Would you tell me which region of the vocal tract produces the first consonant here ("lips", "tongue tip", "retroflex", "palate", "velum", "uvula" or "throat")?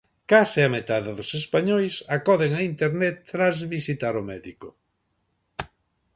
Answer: velum